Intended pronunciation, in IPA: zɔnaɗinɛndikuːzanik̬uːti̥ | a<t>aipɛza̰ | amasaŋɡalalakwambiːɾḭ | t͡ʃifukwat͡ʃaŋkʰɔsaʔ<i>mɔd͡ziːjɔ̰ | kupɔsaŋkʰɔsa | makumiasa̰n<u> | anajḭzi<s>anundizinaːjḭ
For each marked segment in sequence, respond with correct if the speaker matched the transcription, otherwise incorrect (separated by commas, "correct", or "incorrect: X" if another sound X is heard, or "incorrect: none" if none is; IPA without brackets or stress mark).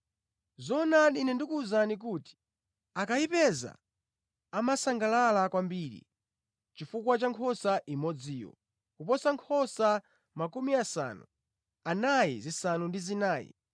incorrect: k, correct, correct, correct